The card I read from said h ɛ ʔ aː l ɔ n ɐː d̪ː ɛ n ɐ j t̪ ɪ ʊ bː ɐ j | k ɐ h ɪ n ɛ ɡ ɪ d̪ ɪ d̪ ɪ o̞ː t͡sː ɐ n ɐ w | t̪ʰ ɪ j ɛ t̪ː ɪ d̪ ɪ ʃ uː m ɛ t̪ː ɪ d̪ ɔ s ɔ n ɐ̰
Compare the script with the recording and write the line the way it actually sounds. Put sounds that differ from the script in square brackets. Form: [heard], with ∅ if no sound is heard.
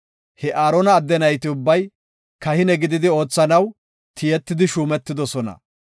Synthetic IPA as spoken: h ɛ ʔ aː [ɾ] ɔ n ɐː d̪ː ɛ n ɐ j t̪ ɪ ʊ bː ɐ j | k ɐ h ɪ n ɛ ɡ ɪ d̪ ɪ d̪ ɪ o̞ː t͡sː ɐ n ɐ w | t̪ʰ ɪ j ɛ t̪ː ɪ d̪ ɪ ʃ uː m ɛ t̪ː ɪ d̪ ɔ s ɔ n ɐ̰